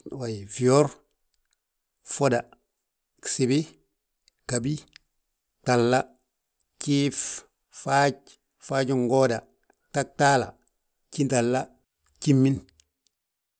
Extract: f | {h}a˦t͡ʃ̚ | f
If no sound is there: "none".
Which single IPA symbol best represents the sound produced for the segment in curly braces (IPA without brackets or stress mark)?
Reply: f